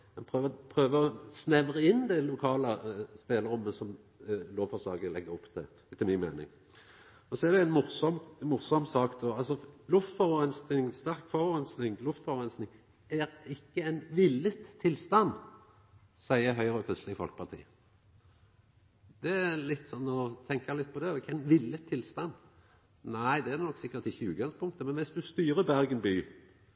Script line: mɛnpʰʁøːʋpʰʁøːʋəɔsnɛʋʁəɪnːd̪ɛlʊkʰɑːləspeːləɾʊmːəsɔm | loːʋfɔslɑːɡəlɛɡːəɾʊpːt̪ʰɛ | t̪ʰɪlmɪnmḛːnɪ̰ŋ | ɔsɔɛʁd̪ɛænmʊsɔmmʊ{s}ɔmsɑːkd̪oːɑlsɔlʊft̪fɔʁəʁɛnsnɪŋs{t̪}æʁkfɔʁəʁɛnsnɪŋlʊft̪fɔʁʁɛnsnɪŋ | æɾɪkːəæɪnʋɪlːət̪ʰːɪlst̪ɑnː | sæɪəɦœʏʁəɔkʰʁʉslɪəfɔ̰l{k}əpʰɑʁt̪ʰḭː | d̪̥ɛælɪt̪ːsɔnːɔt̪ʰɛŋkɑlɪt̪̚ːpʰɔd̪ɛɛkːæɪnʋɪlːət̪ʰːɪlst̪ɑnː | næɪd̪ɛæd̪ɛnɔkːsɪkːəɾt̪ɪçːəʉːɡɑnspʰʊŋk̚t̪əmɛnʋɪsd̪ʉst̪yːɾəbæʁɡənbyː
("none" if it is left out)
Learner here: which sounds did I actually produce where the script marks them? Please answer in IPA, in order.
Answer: s, t̪, k

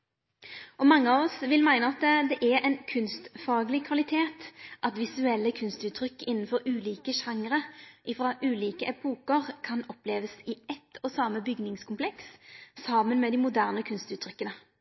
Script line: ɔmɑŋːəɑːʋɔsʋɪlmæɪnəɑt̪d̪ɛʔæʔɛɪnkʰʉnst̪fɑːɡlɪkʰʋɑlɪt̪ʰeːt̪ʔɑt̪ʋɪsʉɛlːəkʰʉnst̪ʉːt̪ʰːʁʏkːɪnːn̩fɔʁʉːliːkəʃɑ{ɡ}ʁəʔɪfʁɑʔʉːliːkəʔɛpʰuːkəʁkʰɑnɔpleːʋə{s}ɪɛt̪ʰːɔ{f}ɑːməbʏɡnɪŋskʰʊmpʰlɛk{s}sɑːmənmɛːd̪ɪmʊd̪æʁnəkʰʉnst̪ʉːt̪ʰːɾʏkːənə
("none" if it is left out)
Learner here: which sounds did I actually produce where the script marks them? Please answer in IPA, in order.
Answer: ŋ, s, s, s

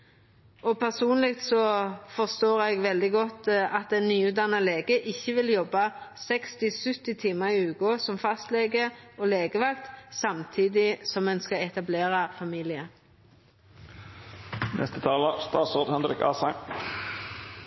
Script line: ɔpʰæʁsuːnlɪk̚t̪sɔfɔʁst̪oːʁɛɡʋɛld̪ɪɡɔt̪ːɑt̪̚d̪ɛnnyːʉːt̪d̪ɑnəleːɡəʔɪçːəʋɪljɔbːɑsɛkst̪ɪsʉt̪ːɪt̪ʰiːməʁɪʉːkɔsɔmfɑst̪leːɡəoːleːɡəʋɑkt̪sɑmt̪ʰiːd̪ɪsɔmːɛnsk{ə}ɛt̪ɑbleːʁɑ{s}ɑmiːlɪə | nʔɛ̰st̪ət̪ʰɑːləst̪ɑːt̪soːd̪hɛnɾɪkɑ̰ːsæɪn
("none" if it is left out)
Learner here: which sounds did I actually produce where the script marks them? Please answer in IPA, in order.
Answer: ɑ, f

